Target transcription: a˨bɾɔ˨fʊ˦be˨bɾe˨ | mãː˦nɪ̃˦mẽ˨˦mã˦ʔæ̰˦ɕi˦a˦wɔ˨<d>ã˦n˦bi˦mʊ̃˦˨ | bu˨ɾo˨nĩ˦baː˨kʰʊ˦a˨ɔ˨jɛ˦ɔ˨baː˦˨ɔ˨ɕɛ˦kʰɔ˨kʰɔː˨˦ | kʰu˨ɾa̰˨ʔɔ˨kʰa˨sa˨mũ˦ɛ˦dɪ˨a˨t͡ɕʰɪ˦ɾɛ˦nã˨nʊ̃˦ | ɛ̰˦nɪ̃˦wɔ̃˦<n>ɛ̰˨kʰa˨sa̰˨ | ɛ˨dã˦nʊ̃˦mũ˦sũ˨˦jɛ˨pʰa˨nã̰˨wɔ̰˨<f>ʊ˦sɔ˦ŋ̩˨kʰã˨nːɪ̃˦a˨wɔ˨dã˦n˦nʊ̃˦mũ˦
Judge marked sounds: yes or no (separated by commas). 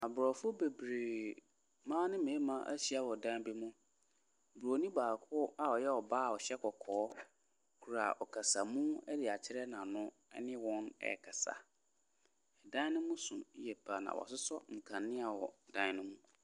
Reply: yes, yes, no